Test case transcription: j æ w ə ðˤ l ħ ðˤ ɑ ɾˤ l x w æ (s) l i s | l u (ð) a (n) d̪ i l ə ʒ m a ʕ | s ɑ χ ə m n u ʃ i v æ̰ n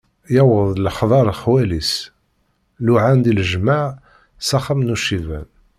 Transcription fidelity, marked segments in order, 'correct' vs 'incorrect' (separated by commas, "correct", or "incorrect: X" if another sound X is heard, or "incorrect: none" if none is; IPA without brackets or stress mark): incorrect: none, incorrect: ʕ, correct